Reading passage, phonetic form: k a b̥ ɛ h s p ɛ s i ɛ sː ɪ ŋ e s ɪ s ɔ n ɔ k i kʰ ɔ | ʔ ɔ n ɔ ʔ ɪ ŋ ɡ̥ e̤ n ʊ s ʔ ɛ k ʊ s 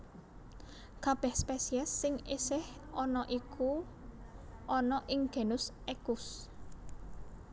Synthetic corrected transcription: k a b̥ ɛ h s p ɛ s i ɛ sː ɪ ŋ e s ɪ h ɔ n ɔ ʔ i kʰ u | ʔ ɔ n ɔ ʔ ɪ ŋ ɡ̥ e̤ n ʊ s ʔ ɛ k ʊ s

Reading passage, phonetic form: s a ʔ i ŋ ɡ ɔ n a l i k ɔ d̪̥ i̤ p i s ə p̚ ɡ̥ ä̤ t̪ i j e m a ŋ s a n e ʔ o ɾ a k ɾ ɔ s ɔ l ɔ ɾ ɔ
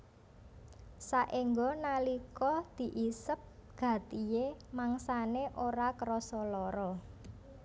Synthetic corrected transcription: s a ʔ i ŋ ɡ ɔ n a l i k ɔ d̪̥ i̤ ʔ i s ə p̚ ɡ̥ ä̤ t̪ i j e m a ŋ s a n e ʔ o ɾ a k ɾ ɔ s ɔ l ɔ ɾ ɔ

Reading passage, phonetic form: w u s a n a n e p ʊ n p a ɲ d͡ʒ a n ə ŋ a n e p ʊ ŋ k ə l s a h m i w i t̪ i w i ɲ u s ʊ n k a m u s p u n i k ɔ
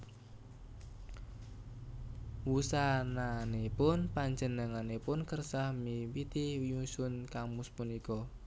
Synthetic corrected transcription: w u s a n a n e p ʊ n p a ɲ d͡ʒ ə n ə ŋ a n e p ʊ n k ə r s a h m i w i t̪ i w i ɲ u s ʊ n k a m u s p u n i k ɔ

